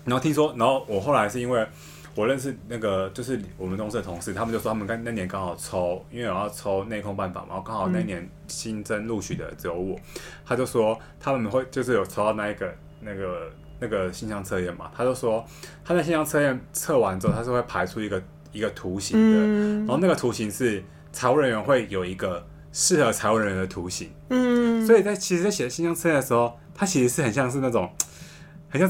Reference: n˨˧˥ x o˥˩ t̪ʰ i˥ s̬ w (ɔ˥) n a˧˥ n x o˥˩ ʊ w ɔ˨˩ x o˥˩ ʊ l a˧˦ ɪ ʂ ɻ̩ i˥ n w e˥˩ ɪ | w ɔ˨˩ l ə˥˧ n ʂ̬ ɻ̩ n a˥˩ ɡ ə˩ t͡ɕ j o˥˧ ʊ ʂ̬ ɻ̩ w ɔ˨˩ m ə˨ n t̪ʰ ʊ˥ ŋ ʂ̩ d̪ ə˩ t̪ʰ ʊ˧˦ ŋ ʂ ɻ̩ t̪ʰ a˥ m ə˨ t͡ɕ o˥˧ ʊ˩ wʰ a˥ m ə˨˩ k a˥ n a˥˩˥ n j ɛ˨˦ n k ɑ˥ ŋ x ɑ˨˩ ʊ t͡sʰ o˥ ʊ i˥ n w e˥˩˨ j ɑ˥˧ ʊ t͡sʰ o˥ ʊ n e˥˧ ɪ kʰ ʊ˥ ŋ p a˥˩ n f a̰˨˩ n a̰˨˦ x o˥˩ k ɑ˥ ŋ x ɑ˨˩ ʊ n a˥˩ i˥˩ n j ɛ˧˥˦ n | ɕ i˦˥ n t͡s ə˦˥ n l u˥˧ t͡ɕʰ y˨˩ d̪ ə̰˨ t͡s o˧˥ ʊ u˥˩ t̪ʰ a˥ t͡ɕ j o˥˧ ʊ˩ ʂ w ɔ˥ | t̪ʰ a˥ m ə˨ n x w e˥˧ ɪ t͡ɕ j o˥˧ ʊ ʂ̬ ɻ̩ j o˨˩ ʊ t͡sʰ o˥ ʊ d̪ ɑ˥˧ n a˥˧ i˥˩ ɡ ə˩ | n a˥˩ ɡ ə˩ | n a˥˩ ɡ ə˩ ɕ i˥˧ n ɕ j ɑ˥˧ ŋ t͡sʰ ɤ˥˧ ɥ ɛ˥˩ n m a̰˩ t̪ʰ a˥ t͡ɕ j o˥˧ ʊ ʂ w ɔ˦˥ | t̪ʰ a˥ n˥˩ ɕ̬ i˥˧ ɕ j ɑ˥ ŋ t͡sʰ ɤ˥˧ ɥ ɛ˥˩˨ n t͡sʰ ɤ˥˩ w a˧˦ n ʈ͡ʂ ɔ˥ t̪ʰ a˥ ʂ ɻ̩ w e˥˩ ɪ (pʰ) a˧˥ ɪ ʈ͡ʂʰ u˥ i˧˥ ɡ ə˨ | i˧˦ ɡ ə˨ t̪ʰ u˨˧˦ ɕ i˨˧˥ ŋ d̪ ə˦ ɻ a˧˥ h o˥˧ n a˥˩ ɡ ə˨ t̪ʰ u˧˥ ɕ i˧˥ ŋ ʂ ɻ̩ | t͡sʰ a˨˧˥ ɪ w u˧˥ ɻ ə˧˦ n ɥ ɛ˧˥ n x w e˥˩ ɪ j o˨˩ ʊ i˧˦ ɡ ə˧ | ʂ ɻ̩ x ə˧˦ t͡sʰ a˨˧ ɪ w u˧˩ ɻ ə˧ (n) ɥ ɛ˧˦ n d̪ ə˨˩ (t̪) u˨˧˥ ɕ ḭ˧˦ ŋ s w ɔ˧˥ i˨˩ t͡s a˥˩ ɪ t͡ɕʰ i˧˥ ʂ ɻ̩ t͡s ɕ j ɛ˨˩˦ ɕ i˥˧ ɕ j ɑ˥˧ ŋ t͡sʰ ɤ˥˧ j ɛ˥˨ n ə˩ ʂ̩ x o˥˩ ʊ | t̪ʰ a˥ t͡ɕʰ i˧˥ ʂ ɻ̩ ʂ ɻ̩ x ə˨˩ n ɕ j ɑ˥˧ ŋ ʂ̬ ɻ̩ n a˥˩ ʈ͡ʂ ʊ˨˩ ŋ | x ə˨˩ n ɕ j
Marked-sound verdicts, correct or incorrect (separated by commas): correct, correct, correct, incorrect